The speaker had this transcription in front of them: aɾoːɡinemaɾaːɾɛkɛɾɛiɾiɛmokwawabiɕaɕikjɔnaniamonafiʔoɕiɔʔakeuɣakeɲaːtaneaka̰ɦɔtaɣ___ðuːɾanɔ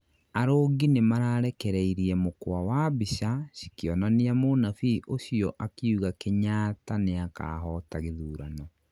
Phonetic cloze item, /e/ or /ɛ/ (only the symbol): e